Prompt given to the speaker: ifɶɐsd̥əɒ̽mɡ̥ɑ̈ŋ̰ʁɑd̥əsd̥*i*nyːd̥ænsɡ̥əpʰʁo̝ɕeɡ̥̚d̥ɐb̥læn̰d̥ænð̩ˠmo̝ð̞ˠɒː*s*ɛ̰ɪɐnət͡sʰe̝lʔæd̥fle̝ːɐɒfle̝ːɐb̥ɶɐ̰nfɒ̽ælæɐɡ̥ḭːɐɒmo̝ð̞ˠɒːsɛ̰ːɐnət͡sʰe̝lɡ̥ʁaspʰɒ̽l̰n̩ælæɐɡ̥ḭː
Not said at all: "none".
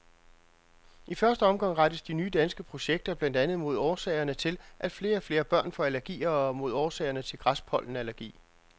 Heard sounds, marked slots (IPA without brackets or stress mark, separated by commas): i, s